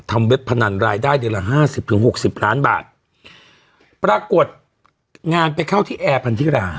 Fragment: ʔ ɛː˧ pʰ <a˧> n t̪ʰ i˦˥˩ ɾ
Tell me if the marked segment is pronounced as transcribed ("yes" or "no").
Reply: yes